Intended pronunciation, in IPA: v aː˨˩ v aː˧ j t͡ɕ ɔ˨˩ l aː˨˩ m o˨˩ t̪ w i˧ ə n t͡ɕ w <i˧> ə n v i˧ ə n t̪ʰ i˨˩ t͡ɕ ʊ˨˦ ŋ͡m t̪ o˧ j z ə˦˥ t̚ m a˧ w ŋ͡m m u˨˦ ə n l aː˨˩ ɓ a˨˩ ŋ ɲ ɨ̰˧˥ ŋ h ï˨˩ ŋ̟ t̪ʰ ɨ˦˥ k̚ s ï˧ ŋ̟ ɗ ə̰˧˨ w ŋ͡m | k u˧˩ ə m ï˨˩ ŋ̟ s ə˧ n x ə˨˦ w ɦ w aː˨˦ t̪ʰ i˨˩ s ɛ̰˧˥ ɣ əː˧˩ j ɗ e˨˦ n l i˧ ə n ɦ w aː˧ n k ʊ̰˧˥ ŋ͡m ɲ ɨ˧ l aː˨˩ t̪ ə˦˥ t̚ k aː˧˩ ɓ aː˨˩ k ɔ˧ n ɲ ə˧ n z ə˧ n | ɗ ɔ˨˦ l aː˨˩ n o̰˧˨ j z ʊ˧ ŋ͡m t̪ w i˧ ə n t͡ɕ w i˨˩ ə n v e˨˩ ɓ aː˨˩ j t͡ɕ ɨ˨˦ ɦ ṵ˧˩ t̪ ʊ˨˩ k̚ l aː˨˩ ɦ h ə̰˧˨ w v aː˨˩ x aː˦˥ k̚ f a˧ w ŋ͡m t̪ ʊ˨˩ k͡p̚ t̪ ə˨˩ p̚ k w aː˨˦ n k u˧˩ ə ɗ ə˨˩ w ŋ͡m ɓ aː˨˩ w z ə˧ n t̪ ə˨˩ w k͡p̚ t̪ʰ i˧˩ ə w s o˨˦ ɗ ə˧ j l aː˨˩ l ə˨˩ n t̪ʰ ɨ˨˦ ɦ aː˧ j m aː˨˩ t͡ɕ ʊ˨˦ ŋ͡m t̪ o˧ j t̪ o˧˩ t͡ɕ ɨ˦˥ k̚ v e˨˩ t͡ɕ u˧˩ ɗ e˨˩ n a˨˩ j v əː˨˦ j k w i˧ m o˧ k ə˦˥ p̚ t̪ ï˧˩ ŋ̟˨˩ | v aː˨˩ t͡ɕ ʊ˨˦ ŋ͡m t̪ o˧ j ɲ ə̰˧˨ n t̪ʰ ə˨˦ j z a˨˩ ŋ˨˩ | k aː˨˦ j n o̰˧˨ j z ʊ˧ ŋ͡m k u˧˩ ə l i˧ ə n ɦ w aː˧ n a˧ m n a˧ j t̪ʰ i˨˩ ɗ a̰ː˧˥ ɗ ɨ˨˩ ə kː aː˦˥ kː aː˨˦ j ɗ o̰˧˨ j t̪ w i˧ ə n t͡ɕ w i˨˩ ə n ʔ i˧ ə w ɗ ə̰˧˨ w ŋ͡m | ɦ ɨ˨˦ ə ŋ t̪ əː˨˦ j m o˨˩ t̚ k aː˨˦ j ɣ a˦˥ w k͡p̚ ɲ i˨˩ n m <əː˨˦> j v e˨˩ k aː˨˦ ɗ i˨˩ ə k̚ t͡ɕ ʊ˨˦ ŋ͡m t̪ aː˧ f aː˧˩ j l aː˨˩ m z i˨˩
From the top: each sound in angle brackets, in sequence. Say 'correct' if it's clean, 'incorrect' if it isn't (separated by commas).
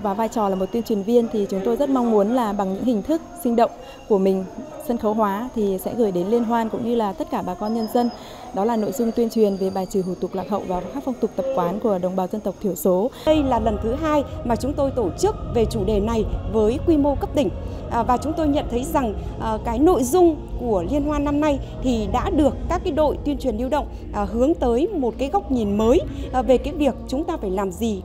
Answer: incorrect, correct